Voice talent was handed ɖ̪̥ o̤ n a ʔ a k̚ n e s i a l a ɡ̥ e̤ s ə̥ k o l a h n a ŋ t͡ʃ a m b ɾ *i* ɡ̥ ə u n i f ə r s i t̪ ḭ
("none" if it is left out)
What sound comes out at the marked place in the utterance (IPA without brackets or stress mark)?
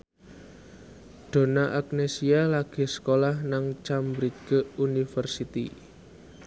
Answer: i